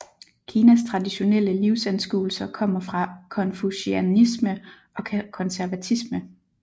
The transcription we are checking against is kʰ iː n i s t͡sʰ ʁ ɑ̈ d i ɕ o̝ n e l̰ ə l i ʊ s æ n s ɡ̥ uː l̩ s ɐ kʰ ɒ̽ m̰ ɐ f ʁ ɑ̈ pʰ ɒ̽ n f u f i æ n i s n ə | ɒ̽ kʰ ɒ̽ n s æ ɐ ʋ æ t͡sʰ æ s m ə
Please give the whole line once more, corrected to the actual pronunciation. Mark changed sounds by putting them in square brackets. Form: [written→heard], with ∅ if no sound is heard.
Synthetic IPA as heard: kʰ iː n [i→æ] s t͡sʰ ʁ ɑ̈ d i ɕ o̝ n e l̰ ə l i ʊ s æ n s ɡ̥ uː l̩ s ɐ kʰ ɒ̽ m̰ ɐ f ʁ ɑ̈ [pʰ→kʰ] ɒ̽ n f u [f→ɕ] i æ n i s [n→m] ə | ɒ̽ kʰ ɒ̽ n s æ ɐ ʋ æ t͡sʰ [æ→i] s m ə